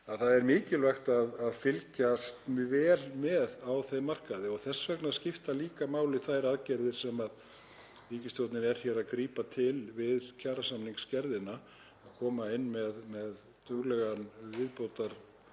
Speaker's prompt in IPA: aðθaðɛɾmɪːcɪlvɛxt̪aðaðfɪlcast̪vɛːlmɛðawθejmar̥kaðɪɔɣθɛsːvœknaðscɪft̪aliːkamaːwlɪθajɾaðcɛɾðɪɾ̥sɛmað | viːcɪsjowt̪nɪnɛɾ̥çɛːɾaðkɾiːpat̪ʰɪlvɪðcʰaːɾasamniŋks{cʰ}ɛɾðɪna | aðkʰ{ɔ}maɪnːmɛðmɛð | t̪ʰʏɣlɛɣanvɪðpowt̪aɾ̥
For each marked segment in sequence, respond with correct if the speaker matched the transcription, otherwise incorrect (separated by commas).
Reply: incorrect, incorrect